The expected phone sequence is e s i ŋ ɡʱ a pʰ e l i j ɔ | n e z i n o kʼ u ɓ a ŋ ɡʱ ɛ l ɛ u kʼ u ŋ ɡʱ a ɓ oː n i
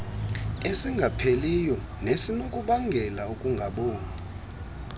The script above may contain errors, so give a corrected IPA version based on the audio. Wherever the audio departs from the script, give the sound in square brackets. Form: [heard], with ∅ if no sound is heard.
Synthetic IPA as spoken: e s i ŋ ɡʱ a pʰ e l i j ɔ | n e [s] i n o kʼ u ɓ a ŋ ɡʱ ɛ l [a] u kʼ u ŋ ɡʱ a ɓ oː n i